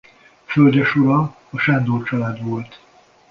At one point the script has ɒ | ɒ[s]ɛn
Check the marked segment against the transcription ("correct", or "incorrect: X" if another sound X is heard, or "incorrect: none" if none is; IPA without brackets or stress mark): incorrect: ʃ